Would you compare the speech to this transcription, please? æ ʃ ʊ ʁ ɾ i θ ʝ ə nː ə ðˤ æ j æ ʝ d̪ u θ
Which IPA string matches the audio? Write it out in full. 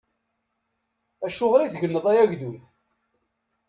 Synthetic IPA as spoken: æ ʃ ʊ ʁ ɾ i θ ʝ ə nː ə ðˤ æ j æ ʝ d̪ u θ